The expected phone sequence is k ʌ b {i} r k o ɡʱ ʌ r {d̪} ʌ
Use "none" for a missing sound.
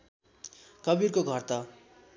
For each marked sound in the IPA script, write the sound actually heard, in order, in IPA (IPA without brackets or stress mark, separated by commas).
i, t̪